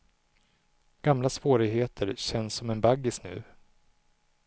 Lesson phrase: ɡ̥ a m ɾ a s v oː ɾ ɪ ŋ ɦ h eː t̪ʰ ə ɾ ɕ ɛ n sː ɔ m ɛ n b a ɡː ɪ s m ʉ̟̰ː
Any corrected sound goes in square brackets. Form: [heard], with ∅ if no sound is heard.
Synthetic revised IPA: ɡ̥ a m [l] a s v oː ɾ ɪ [ɡ] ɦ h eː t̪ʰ ə ɾ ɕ ɛ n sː ɔ m ɛ n b a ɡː ɪ s [n] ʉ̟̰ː